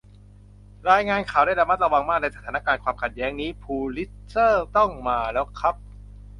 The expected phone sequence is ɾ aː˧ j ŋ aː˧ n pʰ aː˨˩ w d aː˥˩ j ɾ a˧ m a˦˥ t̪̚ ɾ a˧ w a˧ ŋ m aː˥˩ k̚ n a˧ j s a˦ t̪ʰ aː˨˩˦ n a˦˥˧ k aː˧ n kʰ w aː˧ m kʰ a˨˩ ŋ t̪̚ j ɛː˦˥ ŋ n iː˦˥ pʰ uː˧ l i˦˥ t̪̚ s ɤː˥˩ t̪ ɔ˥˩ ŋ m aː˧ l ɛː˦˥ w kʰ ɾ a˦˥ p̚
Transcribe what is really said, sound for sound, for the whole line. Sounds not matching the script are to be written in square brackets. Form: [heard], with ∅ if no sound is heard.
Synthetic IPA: ɾ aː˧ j ŋ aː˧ n [kʰ] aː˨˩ w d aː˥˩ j ɾ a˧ m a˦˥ t̪̚ ɾ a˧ w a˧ ŋ m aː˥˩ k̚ n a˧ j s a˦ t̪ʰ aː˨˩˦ n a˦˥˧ k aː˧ n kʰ w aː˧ m kʰ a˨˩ [∅] t̪̚ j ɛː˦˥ ŋ n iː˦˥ pʰ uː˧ l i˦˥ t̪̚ s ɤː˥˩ t̪ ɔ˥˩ ŋ m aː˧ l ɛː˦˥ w kʰ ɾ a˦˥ p̚